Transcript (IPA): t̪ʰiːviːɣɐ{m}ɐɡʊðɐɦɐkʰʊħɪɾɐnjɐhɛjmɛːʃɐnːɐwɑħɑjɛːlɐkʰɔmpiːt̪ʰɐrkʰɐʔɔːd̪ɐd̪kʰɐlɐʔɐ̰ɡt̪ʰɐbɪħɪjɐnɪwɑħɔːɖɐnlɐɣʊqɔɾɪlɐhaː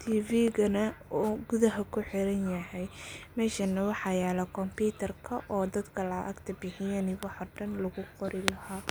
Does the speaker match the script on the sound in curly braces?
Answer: no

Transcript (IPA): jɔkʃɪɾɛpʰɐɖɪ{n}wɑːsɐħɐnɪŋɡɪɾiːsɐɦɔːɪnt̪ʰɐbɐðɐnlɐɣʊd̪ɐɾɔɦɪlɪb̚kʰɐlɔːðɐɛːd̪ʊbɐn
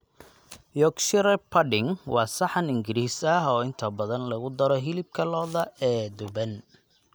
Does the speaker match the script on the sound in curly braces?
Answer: no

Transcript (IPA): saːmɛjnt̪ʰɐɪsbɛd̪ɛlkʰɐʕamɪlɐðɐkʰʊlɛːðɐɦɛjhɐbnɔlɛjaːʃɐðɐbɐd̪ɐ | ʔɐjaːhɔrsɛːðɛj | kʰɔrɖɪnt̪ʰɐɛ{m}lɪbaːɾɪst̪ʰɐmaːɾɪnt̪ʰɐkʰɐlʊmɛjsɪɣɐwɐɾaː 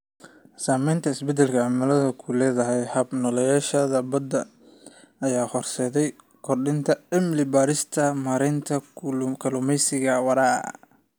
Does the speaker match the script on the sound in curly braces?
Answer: yes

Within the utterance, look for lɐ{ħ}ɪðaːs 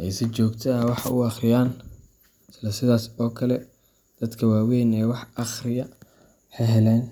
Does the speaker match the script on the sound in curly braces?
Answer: no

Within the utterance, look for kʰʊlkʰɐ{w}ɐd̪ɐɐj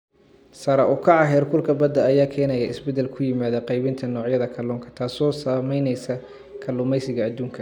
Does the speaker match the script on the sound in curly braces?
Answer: no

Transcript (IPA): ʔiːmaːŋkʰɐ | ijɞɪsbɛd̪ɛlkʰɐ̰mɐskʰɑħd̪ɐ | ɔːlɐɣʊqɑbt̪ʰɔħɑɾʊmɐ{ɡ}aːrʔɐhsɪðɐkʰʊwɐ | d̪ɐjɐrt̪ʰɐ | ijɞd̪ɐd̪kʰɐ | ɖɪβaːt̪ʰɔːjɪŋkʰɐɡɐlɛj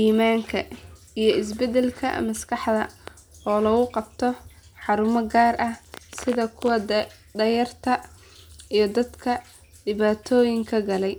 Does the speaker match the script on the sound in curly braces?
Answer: yes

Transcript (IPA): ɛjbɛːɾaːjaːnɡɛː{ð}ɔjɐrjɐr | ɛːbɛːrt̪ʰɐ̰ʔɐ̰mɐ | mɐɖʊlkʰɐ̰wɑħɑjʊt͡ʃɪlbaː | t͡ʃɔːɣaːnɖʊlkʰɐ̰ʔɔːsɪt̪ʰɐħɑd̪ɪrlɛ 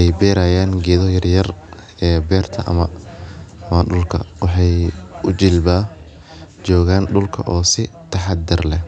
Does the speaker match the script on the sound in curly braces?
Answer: yes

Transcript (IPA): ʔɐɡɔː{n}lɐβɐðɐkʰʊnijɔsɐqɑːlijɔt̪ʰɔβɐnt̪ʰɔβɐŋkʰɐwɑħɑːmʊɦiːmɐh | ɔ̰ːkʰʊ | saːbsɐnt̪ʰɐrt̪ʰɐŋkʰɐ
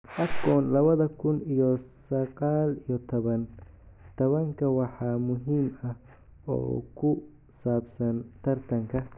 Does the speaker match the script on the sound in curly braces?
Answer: yes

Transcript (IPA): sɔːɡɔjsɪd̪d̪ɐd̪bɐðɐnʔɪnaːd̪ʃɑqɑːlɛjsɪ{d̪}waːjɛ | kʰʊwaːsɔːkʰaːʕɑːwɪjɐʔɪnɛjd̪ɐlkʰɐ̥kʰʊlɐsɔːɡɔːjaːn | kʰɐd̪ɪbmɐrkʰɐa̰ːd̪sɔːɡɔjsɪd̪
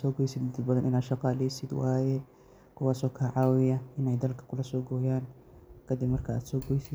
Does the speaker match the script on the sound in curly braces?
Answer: yes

